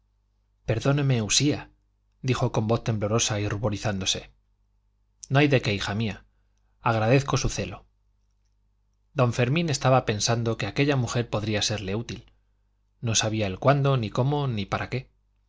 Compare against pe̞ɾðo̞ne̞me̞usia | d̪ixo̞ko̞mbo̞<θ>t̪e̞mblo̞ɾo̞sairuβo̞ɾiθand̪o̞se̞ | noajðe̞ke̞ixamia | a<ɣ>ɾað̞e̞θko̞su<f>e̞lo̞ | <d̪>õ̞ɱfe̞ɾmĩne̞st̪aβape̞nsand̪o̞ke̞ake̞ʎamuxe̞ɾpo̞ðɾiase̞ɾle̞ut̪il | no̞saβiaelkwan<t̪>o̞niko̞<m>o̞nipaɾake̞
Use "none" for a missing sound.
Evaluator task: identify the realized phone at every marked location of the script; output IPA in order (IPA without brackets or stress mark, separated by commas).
θ, ɣ, θ, d̪, d̪, m